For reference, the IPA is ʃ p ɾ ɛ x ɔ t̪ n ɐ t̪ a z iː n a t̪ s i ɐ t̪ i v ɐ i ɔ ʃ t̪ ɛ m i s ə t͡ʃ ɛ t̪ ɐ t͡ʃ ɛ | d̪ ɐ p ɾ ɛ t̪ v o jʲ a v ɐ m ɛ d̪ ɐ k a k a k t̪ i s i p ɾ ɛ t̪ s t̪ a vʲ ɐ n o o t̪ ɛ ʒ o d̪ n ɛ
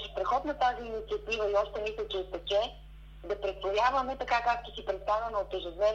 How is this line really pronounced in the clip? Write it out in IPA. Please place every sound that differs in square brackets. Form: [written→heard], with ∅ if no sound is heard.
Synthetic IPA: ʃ p ɾ ɛ x ɔ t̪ n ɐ t̪ a z iː n [a→i] t̪ s i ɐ t̪ i v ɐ i ɔ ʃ t̪ ɛ m i s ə t͡ʃ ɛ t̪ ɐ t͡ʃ ɛ | d̪ ɐ p ɾ ɛ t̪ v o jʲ a v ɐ m ɛ [d̪→t̪] ɐ k a k a k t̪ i s i p ɾ ɛ t̪ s t̪ a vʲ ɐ n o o t̪ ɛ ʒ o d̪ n ɛ